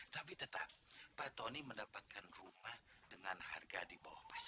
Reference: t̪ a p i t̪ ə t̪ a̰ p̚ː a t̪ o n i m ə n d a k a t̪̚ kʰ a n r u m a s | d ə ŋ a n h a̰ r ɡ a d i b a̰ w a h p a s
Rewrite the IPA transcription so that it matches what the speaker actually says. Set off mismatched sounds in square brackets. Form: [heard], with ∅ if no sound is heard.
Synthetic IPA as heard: t̪ a p i t̪ ə t̪ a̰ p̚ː a t̪ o n i m ə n d a [p] a t̪̚ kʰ a n r u m a [h] | d ə ŋ a n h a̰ r ɡ a d i b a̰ w a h p a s